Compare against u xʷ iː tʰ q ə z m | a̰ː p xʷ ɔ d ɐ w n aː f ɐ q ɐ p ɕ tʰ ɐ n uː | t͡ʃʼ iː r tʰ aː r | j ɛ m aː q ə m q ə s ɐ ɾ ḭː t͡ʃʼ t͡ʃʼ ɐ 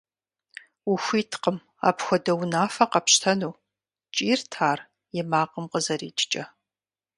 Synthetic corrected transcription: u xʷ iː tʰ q ə m | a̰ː p xʷ ɔ d ɐ w n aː f ɐ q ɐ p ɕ tʰ ɐ n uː | t͡ʃʼ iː r tʰ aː r | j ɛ m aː q ə m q ə z ɐ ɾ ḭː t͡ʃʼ t͡ʃʼ ɐ